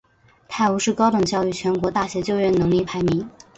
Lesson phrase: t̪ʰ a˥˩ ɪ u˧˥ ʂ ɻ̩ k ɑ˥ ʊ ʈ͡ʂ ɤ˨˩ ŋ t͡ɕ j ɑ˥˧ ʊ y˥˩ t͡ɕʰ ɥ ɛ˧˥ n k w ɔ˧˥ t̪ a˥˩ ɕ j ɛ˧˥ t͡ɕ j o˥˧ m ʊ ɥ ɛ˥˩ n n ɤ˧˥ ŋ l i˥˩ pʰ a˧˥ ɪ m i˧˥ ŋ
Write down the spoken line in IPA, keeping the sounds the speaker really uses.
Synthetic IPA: t̪ʰ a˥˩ ɪ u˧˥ ʂ ɻ̩ k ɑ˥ ʊ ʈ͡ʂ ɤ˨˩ ŋ t͡ɕ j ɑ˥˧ ʊ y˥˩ t͡ɕʰ ɥ ɛ˧˥ n k w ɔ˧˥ t̪ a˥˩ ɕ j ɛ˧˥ t͡ɕ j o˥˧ ʊ ɥ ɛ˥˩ n n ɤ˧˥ ŋ l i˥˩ pʰ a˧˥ ɪ m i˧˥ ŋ